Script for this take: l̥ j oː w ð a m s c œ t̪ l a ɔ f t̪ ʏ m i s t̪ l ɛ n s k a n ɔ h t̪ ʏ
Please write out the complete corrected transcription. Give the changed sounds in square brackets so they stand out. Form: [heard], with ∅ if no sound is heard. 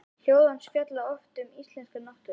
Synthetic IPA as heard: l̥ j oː w ð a [n] s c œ t̪ l a ɔ f t̪ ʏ m i s t̪ l ɛ n s k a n ɔ h t̪ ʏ